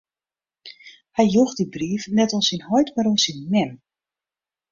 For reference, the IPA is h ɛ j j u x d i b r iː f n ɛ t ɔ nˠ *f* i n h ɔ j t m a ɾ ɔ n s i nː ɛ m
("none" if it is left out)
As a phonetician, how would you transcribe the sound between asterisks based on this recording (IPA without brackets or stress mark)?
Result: s